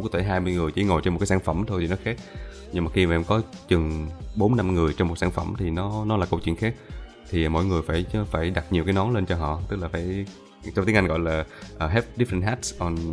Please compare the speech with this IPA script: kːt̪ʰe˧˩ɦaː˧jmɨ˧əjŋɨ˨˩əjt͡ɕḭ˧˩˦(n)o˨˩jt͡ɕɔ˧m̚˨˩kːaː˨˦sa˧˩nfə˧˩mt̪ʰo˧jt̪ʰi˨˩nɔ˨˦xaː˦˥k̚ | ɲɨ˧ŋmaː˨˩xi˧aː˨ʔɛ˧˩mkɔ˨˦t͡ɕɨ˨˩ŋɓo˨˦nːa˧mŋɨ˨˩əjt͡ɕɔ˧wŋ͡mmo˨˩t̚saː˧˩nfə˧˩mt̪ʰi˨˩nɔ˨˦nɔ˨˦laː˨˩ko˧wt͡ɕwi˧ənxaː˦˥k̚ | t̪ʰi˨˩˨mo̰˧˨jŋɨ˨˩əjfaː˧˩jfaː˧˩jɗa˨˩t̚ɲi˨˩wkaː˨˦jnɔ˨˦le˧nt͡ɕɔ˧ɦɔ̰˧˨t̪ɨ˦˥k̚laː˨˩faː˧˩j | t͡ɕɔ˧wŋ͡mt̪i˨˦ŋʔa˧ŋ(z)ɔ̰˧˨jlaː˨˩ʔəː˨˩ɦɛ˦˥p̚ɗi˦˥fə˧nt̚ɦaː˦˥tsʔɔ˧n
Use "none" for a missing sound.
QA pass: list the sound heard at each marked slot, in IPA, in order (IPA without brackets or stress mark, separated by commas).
ŋ, ɣ